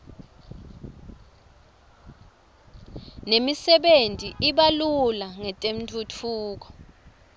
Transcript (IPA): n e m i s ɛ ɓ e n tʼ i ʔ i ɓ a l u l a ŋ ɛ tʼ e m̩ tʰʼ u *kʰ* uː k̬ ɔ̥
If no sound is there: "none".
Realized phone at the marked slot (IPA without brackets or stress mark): tʰ